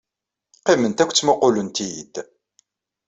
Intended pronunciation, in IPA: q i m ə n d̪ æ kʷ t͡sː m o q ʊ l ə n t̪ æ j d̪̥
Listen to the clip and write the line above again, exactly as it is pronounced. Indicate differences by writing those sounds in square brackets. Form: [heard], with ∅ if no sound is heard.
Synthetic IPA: q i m ə n [t̪] æ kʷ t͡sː m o q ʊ l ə n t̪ [i] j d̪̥